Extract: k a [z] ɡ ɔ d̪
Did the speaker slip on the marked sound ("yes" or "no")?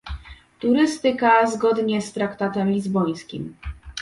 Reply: no